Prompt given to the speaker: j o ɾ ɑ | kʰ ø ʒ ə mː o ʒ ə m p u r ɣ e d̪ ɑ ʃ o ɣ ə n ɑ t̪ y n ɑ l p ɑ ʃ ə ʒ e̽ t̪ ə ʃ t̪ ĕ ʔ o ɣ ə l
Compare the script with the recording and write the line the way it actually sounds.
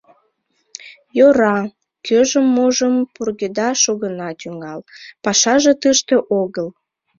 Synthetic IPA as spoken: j o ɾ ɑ | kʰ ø ʒ ə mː o ʒ ə m p u r ɣ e d̪ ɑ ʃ o ɣ ə n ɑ t̪ y ŋ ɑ l p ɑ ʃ ɑ ʒ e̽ t̪ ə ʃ t̪ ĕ ʔ o ɣ ə l

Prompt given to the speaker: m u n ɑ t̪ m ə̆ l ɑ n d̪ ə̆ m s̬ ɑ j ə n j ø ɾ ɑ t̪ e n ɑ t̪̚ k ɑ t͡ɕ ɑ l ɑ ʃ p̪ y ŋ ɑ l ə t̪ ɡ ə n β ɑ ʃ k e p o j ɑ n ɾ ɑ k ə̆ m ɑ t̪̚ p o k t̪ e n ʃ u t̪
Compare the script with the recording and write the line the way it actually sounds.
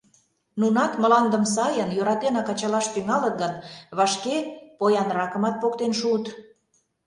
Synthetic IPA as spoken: n u n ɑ t̪ m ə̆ l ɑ n d̪ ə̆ m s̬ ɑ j ə n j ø ɾ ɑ t̪ e n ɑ k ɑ t͡ɕ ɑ l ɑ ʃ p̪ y ŋ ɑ l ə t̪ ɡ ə n β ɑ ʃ k e p o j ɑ n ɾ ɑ k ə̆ m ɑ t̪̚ p o k t̪ e n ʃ u t̪

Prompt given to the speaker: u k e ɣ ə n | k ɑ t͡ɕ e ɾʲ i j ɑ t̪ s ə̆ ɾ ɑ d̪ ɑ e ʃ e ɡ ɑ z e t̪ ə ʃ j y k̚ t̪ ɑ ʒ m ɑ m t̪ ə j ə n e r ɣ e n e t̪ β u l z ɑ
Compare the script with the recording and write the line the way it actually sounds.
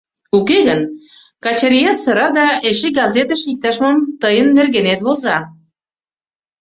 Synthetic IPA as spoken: u k e ɣ ə n | k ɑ t͡ɕ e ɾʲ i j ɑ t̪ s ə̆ ɾ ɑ d̪ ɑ e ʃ e ɡ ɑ z e t̪ ə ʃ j i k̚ t̪ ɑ ʃ m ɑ m t̪ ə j ə nː e r ɣ e n e t̪ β o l z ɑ

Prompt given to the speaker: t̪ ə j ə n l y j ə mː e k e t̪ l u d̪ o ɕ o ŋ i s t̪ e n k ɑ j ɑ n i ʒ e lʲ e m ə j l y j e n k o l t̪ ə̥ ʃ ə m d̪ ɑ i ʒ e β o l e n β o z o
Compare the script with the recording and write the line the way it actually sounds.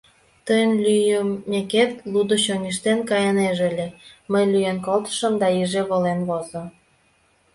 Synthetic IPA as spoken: t̪ ə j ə n l y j ə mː e k e t̪ l u d̪ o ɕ o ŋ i ʃ t̪ e n k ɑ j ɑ n e ʒ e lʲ e m ə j l y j e n k o l t̪ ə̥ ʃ ə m d̪ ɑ i ʒ e β o l e n β o z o

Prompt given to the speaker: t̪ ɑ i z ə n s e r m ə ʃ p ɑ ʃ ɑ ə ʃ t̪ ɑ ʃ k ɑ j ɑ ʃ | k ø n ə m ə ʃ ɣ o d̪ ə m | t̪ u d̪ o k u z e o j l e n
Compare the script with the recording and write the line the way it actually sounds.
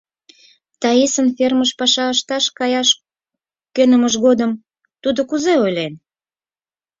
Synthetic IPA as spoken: t̪ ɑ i s ə n f e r m ə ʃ p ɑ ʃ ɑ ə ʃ t̪ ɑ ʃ k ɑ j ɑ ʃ | k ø n ə m ə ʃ ɣ o d̪ ə m | t̪ u d̪ o k u z e o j l e n

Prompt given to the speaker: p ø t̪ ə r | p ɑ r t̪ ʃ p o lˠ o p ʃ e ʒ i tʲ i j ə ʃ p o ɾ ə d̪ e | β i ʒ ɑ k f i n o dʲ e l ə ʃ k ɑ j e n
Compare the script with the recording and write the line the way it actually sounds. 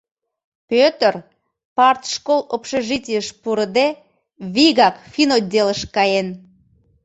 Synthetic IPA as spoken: p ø t̪ ə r | p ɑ r t̪ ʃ k o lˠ o p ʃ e ʒ i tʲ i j ə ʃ p u ɾ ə d̪ e | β i ɣ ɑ k f i n o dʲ e l ə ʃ k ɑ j e n

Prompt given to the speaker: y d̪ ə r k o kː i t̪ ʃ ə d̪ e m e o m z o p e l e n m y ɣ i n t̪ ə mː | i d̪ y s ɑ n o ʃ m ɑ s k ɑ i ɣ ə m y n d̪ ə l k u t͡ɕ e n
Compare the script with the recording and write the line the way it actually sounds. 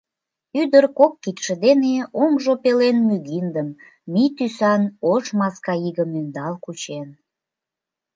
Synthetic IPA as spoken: y d̪ ə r k o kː i t̪ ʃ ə d̪ e n e o m ʒ o p e l e n m y ɣ i n d̪ ə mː | i t̪ y s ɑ n o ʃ m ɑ s k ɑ i ɣ ə m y n d̪ ɑ l k u t͡ɕ e n

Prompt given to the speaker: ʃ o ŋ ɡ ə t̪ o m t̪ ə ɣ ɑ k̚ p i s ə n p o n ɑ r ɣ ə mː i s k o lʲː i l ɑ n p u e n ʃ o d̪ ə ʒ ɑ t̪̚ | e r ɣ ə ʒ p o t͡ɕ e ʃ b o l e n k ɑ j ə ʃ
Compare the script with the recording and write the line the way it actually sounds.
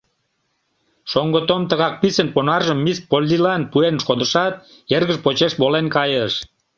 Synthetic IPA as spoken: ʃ o ŋ ɡ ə t̪ o m t̪ ə ɣ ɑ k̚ p i s ə n p o n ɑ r ʒ ə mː i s p o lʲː i l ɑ n p u e n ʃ o d̪ ə ʃ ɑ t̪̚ | e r ɣ ə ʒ p o t͡ɕ e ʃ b o l e n k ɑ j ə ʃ

